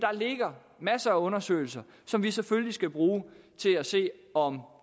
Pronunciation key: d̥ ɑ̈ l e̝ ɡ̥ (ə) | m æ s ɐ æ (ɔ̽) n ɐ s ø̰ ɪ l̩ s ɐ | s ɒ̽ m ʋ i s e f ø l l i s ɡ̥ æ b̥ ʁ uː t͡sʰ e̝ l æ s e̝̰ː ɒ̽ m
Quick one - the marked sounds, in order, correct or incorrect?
incorrect: ɐ, correct

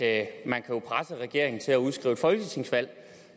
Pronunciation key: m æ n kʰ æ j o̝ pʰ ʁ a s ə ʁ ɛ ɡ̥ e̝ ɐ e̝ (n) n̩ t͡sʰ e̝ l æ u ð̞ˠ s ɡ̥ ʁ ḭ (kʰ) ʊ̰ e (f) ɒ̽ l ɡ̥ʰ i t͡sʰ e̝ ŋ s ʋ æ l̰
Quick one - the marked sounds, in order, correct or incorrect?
incorrect: ŋ, incorrect: none, correct

